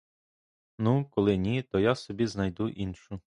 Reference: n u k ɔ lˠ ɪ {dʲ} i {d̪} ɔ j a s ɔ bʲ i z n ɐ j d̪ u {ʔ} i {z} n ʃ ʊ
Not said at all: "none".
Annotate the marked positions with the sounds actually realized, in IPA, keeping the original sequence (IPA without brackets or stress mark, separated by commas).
nʲ, t̪, ʔ, none